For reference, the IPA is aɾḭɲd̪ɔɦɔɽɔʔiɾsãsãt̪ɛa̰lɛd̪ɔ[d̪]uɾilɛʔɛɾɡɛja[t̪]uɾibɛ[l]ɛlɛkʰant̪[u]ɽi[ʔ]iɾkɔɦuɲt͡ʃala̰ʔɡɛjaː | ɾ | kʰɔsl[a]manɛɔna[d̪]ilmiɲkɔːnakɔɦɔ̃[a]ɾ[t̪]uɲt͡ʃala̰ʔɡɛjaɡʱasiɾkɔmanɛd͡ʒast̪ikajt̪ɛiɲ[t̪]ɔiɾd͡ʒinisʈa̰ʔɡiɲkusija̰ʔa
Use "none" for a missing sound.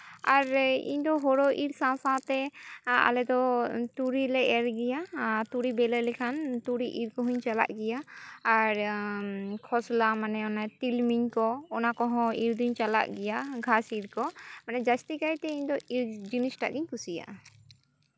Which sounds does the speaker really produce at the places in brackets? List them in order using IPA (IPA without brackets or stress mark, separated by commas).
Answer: t̪, t̪, l, u, ʔ, a, t̪, i, d̪, d̪